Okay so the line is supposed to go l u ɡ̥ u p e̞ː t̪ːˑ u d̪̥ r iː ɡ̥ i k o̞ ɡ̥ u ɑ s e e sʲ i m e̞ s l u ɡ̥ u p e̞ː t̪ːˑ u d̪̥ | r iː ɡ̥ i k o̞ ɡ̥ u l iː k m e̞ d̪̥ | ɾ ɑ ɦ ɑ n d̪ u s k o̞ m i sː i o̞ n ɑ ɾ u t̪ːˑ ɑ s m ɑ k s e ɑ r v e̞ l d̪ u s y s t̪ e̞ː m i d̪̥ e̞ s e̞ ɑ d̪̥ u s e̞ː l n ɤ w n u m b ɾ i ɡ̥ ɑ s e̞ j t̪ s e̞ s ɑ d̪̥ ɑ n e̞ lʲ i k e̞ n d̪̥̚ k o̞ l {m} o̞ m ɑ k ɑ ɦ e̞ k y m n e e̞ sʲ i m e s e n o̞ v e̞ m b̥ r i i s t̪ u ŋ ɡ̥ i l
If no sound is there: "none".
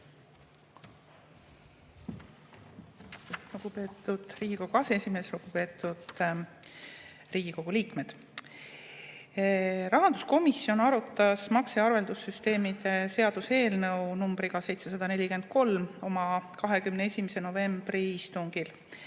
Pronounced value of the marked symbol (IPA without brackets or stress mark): m